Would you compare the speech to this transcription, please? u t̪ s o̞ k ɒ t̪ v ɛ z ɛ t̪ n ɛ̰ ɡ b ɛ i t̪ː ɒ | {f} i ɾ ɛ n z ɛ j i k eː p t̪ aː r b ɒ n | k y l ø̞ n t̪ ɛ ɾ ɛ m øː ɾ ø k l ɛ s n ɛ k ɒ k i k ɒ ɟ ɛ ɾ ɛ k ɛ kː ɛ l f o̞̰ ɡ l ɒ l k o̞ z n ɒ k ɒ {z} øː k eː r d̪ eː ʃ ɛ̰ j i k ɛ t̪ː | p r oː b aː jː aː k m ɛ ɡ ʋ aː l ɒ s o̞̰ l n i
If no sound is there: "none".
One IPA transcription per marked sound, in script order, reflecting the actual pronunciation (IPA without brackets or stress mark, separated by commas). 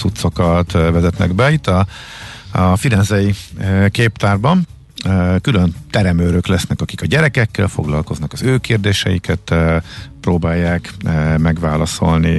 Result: f, z